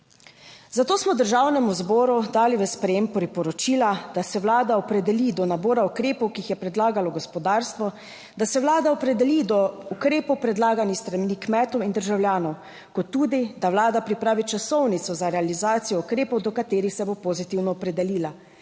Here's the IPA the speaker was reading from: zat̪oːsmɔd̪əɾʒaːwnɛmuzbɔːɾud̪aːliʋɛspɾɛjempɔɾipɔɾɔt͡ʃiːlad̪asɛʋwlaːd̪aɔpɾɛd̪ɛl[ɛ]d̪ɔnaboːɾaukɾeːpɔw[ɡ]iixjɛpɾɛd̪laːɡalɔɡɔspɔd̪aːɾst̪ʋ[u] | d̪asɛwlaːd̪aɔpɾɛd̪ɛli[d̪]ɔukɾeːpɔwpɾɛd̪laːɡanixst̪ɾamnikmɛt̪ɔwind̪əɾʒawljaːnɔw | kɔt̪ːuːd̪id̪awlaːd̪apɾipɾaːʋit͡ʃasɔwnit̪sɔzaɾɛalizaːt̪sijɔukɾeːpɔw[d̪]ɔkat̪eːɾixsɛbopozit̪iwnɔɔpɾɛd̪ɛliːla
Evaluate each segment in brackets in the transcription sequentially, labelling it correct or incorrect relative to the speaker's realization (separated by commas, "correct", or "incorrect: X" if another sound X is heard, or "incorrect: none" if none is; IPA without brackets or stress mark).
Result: incorrect: i, incorrect: k, incorrect: ɔ, correct, correct